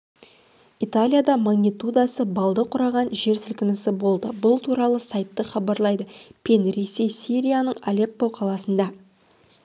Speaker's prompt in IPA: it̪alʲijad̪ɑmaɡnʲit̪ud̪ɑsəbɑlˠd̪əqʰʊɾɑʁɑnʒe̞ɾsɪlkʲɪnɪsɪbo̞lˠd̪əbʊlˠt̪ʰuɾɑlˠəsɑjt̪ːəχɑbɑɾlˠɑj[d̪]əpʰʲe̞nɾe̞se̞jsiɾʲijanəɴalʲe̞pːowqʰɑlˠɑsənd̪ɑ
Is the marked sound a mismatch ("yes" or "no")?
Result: no